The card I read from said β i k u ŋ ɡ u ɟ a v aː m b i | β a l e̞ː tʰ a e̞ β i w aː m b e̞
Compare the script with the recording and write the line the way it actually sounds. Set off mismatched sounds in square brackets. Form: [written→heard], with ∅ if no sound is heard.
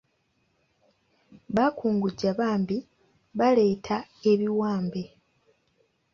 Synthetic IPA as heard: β [i→a] k [u→uː] ŋ ɡ u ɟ a [v→β] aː m b i | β a l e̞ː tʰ a e̞ β i w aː m b e̞